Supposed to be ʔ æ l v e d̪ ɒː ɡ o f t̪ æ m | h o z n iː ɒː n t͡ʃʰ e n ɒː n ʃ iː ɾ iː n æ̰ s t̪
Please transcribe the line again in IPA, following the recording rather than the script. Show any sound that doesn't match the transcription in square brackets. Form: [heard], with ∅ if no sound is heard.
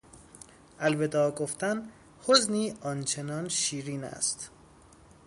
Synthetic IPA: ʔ æ l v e d̪ ɒː ɡ o f t̪ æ [n] | h o z n iː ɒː n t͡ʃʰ e n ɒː n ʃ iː ɾ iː n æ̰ s t̪